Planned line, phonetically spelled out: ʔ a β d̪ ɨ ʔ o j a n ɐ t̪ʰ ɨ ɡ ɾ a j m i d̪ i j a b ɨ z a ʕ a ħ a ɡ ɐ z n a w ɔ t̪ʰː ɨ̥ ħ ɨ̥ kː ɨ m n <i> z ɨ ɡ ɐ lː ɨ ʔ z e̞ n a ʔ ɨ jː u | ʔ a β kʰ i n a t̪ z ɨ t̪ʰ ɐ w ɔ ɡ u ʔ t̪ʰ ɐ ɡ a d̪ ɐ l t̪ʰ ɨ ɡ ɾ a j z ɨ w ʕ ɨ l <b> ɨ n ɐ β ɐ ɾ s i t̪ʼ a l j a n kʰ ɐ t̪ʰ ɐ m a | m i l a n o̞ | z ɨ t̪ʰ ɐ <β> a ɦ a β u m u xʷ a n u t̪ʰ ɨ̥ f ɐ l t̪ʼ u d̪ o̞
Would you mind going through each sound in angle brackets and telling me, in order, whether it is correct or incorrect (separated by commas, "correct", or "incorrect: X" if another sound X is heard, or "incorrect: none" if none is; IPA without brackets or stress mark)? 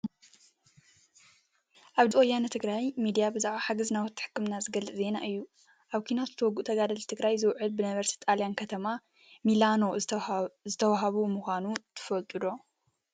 incorrect: a, correct, incorrect: w